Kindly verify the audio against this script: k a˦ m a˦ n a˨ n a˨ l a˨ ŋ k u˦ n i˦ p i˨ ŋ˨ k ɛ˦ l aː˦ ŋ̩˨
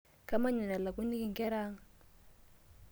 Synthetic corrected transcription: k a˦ m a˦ ɲ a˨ n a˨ l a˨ k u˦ n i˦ k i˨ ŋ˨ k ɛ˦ ɾ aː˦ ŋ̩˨